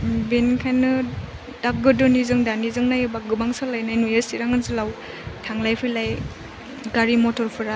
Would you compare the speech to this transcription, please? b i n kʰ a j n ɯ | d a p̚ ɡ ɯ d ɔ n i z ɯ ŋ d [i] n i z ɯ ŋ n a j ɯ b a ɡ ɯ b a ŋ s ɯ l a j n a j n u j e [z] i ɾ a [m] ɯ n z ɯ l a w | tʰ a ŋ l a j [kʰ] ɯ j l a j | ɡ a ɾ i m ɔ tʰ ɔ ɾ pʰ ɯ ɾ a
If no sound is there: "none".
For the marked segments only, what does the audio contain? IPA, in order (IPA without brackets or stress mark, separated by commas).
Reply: a, s, ŋ, pʰ